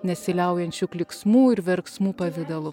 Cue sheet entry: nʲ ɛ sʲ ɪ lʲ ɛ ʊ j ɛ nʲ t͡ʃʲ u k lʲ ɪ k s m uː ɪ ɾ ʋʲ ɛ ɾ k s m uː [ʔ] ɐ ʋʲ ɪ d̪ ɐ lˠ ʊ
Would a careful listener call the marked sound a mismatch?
yes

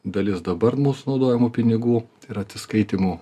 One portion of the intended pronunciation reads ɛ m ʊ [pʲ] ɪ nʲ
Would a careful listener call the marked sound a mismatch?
no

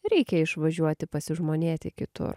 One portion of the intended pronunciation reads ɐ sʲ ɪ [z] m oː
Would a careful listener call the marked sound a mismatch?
yes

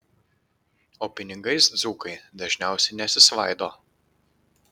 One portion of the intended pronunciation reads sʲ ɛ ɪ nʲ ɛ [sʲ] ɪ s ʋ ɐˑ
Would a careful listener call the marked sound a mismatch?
no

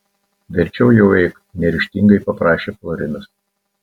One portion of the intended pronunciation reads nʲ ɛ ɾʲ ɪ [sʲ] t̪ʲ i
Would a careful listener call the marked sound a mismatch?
yes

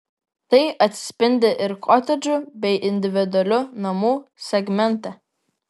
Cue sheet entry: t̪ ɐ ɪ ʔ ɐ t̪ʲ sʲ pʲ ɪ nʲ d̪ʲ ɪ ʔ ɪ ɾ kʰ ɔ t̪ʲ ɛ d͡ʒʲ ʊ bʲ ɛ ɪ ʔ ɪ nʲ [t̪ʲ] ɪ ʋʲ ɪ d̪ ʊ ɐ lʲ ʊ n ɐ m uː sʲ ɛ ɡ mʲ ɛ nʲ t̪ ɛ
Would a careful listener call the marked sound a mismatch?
yes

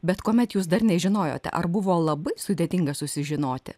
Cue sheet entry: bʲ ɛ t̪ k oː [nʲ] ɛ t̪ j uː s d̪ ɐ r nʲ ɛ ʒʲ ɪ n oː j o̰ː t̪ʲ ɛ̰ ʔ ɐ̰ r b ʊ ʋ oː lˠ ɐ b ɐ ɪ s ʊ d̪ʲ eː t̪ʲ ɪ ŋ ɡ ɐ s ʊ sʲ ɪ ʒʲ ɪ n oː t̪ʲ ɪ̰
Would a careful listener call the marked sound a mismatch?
yes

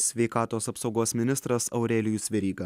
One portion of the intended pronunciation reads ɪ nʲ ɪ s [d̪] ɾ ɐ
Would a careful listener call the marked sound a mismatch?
yes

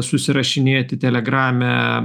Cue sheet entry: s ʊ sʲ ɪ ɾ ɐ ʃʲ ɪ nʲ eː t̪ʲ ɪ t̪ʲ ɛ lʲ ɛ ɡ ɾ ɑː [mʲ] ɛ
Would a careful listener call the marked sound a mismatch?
no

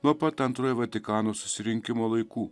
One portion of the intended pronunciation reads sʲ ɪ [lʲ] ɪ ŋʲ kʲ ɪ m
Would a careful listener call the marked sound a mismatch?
yes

